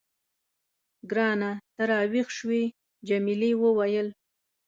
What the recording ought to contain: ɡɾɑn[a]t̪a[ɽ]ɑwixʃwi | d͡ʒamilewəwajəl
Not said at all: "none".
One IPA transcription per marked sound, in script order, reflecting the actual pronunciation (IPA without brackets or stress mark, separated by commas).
a, ɾ